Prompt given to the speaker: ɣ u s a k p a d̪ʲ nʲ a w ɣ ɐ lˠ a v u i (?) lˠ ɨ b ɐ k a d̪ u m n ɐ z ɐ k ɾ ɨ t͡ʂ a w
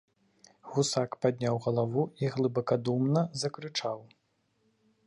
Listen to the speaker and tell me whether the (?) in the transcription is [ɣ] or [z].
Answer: ɣ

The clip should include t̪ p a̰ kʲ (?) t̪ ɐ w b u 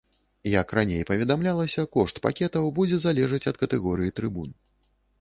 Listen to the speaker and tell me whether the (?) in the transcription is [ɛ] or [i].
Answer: ɛ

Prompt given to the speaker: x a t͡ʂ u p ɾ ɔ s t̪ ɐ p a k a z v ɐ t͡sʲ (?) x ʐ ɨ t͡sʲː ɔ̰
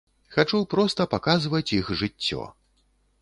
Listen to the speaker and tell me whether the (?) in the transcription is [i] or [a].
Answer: i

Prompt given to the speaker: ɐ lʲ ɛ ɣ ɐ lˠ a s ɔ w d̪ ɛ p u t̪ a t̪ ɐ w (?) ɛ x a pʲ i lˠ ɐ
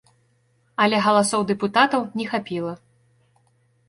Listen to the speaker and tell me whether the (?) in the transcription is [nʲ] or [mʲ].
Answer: nʲ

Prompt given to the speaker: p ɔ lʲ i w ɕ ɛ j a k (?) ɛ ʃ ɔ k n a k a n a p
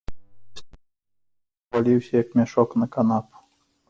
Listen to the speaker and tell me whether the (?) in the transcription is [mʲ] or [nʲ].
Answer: mʲ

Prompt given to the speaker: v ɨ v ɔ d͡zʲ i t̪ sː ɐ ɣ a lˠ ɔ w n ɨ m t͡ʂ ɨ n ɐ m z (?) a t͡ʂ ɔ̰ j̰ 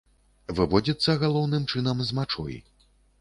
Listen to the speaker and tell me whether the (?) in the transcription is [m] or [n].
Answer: m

